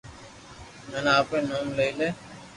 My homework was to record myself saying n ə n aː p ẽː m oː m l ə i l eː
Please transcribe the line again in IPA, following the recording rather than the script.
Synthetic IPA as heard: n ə n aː p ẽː n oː m l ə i l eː